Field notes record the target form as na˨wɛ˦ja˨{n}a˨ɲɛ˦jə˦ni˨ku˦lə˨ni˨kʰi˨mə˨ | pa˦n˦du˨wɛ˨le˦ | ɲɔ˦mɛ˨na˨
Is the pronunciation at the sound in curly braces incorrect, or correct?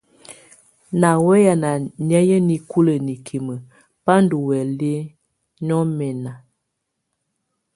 correct